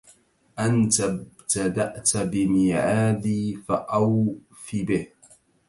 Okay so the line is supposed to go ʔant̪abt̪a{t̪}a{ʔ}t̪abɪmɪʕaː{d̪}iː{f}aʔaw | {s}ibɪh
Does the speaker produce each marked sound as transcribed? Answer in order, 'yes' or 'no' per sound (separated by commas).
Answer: no, yes, yes, yes, no